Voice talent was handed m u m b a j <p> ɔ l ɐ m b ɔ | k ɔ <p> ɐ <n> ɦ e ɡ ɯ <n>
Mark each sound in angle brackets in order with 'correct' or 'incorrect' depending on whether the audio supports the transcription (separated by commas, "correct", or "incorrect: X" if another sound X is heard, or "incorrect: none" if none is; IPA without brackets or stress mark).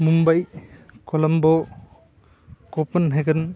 incorrect: k, correct, correct, correct